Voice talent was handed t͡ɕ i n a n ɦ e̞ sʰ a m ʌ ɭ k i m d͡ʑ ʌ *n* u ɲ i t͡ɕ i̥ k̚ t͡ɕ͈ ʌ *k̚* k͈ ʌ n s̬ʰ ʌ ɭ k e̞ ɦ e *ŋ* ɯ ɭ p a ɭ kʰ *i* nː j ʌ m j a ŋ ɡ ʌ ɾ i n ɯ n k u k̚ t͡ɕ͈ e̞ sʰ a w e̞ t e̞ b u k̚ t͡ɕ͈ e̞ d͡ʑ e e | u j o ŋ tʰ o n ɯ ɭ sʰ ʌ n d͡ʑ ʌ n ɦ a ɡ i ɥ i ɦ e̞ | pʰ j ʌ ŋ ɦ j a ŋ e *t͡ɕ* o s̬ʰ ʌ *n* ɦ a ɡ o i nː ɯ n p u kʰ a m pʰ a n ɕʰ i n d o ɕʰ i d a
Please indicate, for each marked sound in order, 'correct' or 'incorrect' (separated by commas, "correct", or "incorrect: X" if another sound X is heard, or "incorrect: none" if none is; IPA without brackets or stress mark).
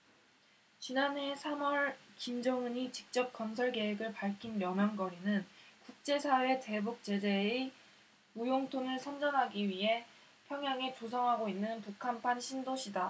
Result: incorrect: ŋ, incorrect: p̚, incorrect: ɡ, correct, correct, incorrect: ŋ